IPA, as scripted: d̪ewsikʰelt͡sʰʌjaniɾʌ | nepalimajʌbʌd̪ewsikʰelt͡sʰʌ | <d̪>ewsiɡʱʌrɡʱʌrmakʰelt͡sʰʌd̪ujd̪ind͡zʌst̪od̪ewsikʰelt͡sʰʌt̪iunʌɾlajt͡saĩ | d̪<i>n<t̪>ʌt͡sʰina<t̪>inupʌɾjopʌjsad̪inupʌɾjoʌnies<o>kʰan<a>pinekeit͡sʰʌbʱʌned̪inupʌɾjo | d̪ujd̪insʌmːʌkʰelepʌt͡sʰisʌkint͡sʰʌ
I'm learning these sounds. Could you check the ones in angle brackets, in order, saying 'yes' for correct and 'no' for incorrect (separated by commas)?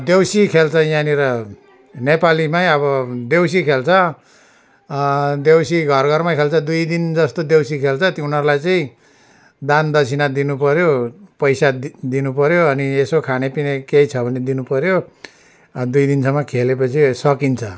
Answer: yes, no, no, no, yes, no